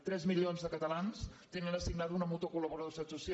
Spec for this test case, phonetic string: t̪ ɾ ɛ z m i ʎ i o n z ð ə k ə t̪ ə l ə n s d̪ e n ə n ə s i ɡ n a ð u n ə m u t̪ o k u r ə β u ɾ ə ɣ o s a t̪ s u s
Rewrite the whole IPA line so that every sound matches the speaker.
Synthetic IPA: t̪ ɾ ɛ z m i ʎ i o n z ð ə k ə t̪ ə l a n s t̪ e n ə n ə s i ɡ n a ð u n ə m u t̪ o k u l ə β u ɾ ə ð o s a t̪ s u s